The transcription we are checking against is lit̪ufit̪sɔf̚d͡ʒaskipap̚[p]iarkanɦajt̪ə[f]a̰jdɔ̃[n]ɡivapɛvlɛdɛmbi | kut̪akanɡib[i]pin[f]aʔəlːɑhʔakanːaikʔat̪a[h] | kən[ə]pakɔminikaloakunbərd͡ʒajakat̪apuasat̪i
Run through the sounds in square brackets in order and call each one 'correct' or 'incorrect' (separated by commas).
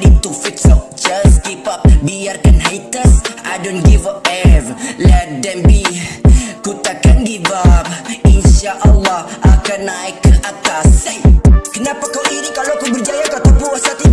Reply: incorrect, incorrect, correct, incorrect, incorrect, incorrect, incorrect